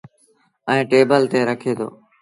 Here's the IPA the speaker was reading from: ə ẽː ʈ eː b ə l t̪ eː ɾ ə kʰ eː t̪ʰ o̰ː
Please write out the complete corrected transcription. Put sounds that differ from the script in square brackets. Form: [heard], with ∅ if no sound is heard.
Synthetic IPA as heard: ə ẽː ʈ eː b ə l t̪ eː ɾ ə kʰ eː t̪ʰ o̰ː